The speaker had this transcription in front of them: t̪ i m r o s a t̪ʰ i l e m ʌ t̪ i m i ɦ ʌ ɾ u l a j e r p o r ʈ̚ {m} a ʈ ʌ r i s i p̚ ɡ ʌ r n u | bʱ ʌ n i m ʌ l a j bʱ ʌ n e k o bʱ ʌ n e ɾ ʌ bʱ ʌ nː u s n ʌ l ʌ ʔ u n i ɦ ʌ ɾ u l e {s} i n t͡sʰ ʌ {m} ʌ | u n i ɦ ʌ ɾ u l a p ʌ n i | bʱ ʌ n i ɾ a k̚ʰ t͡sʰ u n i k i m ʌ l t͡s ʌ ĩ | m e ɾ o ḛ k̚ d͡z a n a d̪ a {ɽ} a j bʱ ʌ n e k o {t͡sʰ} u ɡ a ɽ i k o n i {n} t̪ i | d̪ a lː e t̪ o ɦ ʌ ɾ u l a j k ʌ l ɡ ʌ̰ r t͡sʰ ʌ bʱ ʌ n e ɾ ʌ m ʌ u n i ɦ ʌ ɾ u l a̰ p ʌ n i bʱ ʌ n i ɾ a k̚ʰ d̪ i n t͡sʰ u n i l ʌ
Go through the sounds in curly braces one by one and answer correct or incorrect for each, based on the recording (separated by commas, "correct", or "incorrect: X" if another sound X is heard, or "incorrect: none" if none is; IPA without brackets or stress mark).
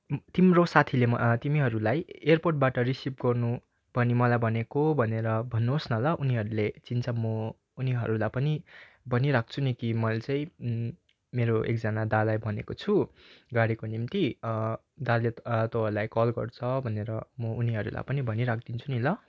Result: incorrect: b, incorrect: t͡s, correct, incorrect: l, correct, incorrect: m